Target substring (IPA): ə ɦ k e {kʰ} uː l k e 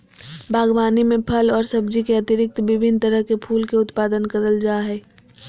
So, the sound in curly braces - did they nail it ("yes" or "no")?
no